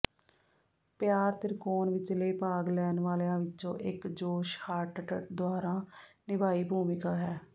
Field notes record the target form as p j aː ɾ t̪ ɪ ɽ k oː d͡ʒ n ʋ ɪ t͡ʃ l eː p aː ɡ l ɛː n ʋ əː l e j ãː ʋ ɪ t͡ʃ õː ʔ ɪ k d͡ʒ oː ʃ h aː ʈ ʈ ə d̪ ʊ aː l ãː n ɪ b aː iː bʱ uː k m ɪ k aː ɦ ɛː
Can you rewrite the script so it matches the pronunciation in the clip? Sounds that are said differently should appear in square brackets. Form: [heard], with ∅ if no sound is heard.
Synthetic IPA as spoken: p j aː ɾ t̪ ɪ [ɾ] k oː [∅] n ʋ ɪ t͡ʃ l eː p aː ɡ l ɛː n ʋ [aː] l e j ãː ʋ ɪ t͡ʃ õː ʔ ɪ k d͡ʒ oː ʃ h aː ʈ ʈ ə d̪ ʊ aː [ɾ] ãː n ɪ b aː iː bʱ uː [∅] m ɪ k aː ɦ ɛː